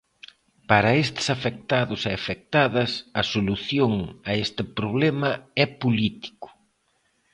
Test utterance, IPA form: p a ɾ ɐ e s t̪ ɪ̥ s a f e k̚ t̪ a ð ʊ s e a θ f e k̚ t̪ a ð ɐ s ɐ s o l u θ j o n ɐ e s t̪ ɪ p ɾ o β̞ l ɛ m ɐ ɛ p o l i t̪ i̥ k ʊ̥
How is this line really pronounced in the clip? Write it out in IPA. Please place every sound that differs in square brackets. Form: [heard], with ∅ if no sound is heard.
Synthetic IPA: p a ɾ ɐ e s t̪ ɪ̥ s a f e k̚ t̪ a ð ʊ s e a [∅] f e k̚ t̪ a ð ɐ s ɐ s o l u θ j o [ŋ] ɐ e s t̪ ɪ p ɾ o β̞ l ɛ m ɐ ɛ p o l i t̪ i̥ k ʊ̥

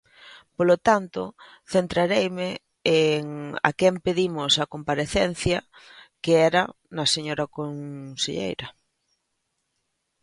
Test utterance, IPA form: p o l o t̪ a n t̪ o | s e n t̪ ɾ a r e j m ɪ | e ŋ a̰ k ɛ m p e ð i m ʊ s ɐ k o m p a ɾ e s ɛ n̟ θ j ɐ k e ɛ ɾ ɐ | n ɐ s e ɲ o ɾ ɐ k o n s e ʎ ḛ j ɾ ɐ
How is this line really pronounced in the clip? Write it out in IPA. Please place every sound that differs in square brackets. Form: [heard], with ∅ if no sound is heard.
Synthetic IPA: p o l o t̪ a n t̪ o | [θ] e n t̪ ɾ a [ɾ] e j m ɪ | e ŋ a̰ k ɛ m p e ð i m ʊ s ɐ k o m p a ɾ e [θ] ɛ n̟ θ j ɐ k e ɛ ɾ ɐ | n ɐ s e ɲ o ɾ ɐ k o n s e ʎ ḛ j ɾ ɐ

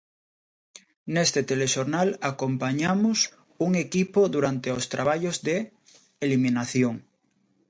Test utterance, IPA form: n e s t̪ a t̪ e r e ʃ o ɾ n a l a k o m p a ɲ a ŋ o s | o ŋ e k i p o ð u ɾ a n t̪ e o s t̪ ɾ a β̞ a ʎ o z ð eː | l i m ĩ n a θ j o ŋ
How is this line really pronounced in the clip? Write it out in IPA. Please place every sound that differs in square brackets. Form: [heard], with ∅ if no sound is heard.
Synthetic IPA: n e s t̪ [e] t̪ e [l] e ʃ o ɾ n a l a k o m p a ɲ a [m] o s | [u] ŋ e k i p o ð u ɾ a n t̪ e o s t̪ ɾ a β̞ a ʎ o z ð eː | l i m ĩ n a θ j o ŋ

